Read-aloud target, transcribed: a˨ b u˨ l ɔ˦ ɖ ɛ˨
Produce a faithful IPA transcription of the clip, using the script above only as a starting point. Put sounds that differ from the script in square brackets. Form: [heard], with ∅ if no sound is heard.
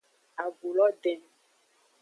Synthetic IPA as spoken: a˨ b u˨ l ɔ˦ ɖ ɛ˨